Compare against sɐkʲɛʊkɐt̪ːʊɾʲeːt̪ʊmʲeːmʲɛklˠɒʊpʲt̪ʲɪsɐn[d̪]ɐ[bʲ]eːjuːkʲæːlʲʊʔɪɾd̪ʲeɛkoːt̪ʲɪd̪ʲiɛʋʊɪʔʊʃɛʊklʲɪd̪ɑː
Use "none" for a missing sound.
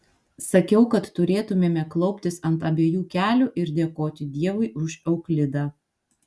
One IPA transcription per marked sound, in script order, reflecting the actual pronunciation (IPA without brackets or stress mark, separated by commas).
t̪, bʲ